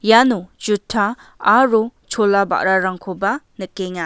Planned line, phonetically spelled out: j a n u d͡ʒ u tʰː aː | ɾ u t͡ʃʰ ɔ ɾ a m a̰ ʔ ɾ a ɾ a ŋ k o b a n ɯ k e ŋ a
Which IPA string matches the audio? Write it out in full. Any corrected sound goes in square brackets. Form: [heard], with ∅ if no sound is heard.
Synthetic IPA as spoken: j a n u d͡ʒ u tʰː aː | ɾ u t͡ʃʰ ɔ [l] a [b] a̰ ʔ ɾ a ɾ a ŋ [kʰ] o b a n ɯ k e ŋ a